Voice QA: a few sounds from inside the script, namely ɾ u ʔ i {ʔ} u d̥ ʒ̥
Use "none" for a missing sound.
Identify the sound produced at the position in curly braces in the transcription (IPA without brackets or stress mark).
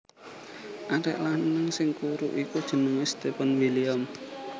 k